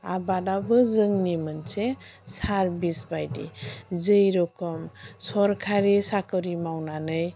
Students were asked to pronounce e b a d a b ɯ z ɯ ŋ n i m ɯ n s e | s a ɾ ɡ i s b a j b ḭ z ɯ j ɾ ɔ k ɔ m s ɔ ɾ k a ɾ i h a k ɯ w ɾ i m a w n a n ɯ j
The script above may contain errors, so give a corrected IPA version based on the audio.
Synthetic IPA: a b a d a b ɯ z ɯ ŋ n i m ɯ n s e | s a ɾ b i s b a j d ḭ z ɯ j ɾ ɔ k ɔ m s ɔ ɾ kʰ a ɾ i s a k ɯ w ɾ i m a w n a n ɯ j